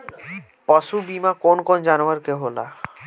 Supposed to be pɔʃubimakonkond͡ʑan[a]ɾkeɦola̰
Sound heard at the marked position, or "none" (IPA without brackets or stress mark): a